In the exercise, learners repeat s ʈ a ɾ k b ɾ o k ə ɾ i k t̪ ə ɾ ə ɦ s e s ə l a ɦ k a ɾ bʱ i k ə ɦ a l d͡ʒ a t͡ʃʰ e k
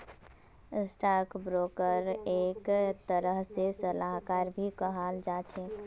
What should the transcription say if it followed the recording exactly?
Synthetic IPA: s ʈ a ɾ k b ɾ o k ə ɾ e k t̪ ə ɾ ə ɦ s e s ə l a ɦ k a ɾ bʱ i k ə ɦ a l d͡ʒ a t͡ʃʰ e k